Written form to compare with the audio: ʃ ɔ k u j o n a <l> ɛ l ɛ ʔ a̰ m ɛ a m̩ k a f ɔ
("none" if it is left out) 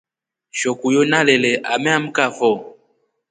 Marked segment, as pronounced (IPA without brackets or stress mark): l